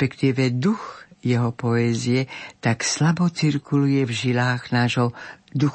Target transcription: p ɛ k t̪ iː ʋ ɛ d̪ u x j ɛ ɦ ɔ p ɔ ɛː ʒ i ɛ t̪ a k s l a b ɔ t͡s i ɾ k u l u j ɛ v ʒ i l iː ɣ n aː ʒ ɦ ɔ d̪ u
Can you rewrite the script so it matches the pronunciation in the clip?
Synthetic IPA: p ɛ k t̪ iː ʋ ɛ d̪ u x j ɛ ɦ ɔ p ɔ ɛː z i ɛ t̪ a k s l a b ɔ t͡s i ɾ k u l u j ɛ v ʒ i l aː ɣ n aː ʒ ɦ ɔ d̪ u